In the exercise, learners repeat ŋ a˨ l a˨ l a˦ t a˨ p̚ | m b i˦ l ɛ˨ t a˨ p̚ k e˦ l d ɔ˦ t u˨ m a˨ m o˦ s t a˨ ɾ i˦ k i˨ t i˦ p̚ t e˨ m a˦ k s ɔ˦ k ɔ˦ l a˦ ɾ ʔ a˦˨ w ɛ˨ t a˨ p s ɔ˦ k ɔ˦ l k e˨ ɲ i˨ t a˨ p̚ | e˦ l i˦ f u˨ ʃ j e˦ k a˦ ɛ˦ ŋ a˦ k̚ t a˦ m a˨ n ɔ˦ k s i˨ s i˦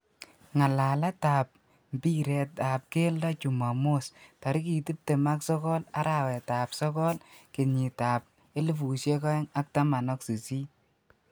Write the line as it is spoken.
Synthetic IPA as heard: ŋ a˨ l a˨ l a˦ t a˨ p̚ | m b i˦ ɾ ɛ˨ t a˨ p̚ k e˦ l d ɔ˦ t͡ʃ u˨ m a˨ m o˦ s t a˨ ɾ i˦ k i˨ t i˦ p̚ t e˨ m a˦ k s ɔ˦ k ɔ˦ l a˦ ɾ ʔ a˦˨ w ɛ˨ t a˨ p s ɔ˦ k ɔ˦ l k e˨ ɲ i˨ t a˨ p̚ | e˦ l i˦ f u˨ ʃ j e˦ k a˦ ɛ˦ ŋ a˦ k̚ t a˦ m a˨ n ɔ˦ k s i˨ s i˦